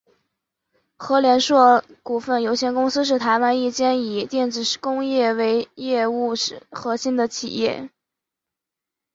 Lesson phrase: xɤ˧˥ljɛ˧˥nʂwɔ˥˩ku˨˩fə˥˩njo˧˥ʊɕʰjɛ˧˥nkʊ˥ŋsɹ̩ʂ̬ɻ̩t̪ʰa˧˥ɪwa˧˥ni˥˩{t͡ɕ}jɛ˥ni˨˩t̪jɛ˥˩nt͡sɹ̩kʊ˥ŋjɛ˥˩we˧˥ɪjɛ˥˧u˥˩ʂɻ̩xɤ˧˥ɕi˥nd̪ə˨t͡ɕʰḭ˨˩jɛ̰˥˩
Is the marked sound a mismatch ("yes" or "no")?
no